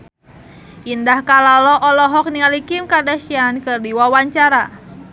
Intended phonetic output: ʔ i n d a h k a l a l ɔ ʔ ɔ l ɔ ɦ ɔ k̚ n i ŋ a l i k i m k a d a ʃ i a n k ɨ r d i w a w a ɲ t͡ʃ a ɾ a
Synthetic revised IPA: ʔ i n d a h k a l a l ɔ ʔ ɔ l ɔ ɦ ɔ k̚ n i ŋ a l i k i m k a d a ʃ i a n k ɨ r d i w a w a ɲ t͡ʃ a ɾ a